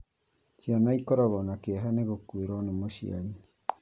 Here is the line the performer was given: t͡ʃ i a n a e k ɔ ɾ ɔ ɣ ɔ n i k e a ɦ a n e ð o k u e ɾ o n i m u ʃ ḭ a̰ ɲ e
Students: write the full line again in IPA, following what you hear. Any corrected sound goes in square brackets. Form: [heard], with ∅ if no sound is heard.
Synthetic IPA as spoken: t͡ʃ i a n a [i] k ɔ ɾ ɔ ɣ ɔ n [a] k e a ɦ a n e [ɣ] o k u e ɾ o n [e] m [o] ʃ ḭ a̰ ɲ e